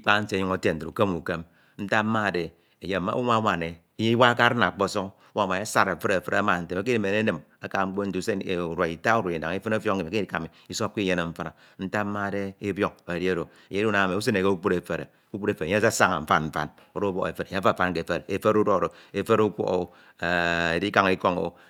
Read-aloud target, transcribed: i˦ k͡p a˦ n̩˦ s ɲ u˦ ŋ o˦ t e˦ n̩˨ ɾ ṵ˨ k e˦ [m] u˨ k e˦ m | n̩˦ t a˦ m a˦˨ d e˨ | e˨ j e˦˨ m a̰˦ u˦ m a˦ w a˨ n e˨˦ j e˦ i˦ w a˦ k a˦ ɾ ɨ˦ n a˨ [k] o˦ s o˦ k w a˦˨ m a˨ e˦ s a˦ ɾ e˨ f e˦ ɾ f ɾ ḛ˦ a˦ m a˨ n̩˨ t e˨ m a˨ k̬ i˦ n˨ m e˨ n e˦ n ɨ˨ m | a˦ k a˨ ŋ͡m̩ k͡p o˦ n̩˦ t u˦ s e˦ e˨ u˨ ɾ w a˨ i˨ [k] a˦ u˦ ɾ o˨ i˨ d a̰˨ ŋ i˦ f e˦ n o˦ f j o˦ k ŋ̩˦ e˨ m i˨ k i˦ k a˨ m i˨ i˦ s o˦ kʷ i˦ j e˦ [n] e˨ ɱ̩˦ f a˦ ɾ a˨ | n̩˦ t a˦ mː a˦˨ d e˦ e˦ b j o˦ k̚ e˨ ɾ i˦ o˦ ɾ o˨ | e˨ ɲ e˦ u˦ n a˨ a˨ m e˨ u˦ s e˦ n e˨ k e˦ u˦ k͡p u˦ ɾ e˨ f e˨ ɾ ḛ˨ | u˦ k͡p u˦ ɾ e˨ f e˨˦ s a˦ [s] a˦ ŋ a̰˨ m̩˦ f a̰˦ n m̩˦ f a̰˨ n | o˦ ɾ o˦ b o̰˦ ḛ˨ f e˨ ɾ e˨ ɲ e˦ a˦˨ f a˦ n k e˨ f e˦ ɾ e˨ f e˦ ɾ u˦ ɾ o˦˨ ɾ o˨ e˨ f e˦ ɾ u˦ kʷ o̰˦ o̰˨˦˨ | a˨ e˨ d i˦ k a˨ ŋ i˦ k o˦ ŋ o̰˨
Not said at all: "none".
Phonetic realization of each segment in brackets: m, k͡p, t, n, s

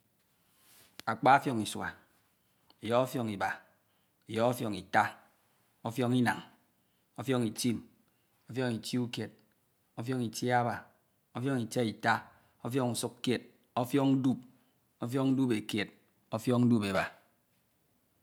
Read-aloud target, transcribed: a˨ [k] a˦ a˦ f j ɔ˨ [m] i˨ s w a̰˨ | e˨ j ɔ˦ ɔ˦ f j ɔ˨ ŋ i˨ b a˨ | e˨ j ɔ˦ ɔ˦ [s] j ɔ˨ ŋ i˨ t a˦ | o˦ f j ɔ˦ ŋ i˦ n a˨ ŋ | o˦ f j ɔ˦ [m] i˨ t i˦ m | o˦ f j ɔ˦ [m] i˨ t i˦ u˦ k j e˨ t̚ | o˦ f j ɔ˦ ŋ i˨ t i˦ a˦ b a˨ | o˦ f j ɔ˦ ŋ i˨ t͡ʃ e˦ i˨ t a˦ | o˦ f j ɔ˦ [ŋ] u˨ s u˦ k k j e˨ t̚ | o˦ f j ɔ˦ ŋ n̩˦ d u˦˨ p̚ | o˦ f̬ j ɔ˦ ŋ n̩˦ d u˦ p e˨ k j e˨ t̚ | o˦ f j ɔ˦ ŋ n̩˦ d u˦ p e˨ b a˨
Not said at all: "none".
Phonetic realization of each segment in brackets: k͡p, ŋ, f, ŋ, ŋ, ŋ

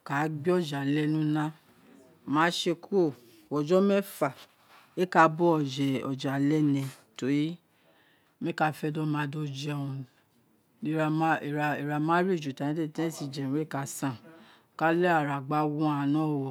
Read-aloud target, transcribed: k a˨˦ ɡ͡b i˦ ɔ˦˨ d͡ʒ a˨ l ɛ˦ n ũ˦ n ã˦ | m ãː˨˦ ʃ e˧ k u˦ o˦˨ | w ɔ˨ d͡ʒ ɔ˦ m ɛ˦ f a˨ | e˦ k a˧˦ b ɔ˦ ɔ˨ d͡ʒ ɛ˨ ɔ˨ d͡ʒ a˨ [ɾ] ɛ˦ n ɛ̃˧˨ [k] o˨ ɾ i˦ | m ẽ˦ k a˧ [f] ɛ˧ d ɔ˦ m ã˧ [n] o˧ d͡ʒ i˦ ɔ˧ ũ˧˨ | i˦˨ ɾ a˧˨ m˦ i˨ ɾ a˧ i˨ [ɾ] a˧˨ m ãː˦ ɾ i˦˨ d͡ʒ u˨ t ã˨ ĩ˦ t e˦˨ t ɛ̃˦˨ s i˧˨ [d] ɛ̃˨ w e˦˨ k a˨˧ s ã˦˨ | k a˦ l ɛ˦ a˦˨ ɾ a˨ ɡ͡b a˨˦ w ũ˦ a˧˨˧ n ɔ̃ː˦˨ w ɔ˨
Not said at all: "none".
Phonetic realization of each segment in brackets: l, t, f, d, ɾ, d͡ʒ

